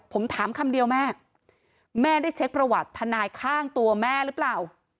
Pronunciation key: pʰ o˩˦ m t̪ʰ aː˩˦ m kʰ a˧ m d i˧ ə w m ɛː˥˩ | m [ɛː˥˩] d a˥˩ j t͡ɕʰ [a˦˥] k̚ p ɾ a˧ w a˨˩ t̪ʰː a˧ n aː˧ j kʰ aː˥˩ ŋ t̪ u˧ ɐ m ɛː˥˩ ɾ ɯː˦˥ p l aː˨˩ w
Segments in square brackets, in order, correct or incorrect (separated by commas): correct, incorrect